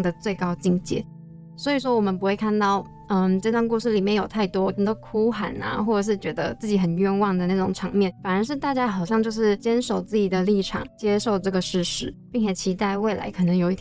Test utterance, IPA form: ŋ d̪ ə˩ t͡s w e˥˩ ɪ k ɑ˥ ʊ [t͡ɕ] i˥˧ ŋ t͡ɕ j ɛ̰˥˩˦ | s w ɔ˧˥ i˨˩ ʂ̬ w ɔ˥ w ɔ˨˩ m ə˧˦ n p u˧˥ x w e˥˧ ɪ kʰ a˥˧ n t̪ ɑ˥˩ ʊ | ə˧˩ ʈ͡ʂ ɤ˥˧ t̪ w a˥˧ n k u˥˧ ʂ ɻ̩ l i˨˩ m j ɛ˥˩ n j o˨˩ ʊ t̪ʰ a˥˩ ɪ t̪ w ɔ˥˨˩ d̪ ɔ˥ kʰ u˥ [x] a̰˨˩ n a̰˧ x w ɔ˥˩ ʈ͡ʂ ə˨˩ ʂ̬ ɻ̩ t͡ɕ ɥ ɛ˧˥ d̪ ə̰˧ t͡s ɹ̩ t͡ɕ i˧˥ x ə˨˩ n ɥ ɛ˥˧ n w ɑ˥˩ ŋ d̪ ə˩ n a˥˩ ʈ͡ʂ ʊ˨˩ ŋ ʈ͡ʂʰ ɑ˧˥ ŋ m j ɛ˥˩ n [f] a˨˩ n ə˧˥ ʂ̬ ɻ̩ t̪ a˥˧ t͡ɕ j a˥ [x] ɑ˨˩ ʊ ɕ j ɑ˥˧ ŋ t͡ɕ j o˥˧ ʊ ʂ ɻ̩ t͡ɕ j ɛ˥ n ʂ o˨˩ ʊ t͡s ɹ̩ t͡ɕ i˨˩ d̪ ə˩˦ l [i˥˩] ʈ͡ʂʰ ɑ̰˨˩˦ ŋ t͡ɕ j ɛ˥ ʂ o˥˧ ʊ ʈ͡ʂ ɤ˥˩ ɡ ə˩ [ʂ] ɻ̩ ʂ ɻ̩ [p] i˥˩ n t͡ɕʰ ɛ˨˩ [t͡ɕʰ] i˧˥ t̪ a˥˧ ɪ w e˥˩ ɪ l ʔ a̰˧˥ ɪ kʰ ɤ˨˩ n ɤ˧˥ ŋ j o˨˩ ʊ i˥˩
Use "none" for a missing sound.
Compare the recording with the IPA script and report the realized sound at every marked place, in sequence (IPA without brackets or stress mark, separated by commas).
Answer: t͡ɕ, x, f, x, i˥˩, ʂ, p, t͡ɕʰ